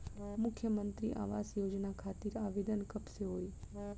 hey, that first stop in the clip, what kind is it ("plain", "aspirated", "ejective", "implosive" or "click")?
aspirated